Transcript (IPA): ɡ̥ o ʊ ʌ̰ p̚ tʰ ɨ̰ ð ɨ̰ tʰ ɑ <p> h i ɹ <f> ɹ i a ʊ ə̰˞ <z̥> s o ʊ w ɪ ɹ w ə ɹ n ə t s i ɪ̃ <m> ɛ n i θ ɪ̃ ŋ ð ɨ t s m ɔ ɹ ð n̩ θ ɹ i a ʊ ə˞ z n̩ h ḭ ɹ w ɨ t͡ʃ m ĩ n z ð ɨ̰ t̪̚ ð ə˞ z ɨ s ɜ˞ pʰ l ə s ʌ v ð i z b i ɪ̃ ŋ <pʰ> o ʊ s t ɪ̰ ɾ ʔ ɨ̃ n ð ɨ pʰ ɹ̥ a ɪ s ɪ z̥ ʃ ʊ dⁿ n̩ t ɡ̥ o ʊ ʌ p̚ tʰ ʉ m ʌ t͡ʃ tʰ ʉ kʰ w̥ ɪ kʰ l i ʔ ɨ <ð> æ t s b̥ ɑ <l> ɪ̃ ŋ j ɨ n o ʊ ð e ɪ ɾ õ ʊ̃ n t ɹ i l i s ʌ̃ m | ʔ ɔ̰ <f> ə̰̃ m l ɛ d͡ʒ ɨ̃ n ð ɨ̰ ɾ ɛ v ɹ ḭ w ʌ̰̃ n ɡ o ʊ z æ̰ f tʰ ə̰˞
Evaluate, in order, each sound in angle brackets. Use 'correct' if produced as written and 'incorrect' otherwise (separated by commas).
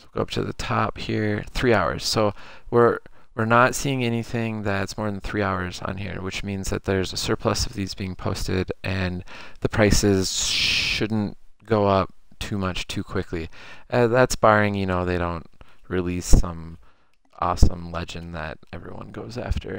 correct, incorrect, correct, incorrect, correct, correct, incorrect, incorrect